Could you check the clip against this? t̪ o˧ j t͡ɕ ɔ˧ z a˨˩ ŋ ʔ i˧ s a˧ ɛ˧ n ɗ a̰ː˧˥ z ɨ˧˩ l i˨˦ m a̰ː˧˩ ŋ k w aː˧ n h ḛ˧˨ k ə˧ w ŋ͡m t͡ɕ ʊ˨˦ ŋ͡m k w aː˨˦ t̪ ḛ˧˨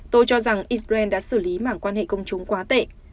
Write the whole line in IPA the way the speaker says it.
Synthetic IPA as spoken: t̪ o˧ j t͡ɕ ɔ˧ z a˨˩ ŋ ʔ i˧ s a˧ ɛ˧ n ɗ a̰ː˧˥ s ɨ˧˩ l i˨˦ m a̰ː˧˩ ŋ k w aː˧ n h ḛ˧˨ k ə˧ w ŋ͡m t͡ɕ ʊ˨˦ ŋ͡m k w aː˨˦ t̪ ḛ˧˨